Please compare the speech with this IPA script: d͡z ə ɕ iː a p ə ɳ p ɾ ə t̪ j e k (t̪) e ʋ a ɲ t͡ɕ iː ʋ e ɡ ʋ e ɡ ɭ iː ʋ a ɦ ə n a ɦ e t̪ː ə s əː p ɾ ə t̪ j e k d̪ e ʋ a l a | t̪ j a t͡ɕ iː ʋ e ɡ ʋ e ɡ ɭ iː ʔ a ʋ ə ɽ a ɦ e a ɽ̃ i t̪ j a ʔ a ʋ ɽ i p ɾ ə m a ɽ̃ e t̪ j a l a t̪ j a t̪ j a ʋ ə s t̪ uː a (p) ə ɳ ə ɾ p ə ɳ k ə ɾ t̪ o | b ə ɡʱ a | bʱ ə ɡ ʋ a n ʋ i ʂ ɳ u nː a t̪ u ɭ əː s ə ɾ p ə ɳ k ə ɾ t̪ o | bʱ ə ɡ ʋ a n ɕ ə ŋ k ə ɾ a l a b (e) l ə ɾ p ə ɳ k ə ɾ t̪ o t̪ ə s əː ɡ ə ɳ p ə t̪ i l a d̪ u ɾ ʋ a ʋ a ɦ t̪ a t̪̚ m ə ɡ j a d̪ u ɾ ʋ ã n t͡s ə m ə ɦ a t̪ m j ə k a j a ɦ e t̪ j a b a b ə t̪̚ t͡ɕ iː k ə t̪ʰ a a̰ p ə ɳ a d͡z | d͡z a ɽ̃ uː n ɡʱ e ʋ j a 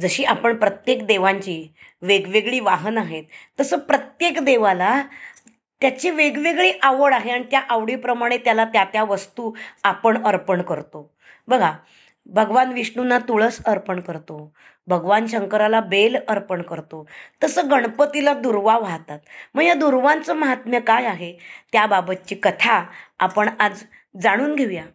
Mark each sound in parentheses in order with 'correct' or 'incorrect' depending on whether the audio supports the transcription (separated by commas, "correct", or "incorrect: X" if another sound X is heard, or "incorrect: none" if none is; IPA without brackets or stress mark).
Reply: incorrect: d̪, correct, correct